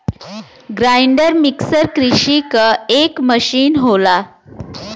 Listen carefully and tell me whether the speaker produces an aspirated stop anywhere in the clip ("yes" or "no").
no